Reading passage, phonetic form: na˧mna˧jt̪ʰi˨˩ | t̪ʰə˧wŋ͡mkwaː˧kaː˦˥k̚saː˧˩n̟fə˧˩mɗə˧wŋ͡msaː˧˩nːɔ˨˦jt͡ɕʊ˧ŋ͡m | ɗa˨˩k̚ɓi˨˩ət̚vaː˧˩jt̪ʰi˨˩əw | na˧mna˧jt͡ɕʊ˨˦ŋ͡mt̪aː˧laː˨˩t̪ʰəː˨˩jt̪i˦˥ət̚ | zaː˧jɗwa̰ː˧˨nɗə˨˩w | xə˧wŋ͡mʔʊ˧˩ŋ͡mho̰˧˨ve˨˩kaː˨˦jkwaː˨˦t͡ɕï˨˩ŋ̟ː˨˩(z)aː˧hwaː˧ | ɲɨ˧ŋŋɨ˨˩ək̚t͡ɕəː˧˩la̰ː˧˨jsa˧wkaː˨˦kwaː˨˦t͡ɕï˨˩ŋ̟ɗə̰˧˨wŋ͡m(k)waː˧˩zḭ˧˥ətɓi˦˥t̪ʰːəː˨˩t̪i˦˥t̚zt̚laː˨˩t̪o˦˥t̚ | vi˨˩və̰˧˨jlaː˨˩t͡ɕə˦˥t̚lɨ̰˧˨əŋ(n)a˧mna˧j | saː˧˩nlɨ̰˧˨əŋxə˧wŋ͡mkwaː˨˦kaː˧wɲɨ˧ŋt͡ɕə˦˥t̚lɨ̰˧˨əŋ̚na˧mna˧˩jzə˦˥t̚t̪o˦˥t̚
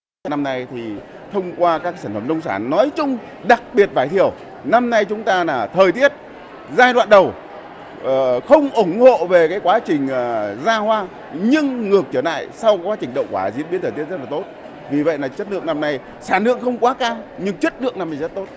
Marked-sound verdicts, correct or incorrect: correct, correct, correct

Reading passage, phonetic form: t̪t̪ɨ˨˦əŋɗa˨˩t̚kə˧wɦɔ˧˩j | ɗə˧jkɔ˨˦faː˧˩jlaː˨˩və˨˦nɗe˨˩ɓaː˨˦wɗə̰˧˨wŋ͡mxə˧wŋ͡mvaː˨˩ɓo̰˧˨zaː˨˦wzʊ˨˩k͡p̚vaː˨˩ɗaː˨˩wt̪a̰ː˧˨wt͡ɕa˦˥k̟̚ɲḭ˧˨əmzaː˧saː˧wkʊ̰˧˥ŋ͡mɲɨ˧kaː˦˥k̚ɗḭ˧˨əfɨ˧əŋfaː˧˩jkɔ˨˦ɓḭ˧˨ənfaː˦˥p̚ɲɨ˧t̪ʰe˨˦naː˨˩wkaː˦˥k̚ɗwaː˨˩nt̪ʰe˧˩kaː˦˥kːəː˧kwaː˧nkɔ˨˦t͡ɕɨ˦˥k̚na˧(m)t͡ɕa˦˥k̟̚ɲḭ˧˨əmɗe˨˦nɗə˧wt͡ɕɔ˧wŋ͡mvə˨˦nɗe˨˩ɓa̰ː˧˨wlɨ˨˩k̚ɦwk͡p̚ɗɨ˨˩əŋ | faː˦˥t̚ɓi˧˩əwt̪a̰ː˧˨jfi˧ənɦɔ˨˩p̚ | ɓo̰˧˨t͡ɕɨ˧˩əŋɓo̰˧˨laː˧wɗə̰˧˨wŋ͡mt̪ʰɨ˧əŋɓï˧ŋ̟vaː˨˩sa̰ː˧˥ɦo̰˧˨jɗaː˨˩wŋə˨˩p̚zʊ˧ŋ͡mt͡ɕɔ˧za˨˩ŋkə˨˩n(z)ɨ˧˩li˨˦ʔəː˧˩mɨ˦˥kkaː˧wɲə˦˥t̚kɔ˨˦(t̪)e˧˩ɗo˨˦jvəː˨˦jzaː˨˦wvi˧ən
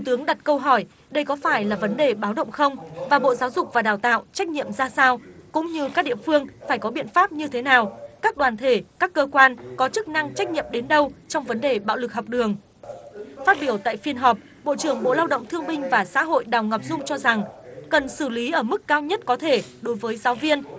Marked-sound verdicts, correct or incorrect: incorrect: ŋ, incorrect: s, incorrect: t̪ʰ

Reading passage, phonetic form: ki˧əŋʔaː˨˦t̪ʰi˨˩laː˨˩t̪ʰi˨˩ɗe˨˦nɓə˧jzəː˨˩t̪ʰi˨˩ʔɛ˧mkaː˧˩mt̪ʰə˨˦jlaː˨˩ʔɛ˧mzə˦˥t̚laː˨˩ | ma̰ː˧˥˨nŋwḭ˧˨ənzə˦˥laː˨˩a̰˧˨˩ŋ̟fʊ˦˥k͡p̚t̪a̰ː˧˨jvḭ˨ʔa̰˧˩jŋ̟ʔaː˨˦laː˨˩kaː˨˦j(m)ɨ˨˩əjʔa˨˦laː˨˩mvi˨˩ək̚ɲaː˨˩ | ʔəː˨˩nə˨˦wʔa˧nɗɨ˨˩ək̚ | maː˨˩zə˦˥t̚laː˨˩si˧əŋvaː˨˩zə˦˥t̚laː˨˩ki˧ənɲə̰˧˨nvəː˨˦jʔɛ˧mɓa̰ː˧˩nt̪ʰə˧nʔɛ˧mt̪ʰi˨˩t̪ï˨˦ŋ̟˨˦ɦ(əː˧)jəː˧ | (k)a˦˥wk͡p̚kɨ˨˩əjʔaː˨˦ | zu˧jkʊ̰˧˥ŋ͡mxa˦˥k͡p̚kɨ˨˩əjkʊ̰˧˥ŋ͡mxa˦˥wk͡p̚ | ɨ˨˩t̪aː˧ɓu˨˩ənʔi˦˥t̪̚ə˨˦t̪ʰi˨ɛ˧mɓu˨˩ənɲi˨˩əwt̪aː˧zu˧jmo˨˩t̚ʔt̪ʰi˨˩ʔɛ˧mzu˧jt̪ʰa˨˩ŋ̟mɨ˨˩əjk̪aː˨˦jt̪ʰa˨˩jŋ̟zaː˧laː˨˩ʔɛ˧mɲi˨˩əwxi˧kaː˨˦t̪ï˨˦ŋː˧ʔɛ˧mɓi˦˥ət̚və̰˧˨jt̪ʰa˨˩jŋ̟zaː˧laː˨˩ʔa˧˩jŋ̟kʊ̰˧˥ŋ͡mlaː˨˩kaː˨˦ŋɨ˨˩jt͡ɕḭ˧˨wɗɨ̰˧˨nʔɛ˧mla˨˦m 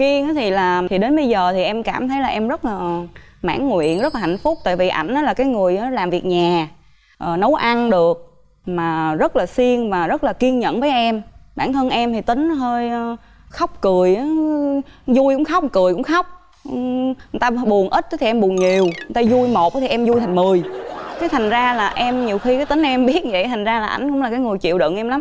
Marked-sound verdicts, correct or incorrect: incorrect: ŋ, correct, incorrect: x

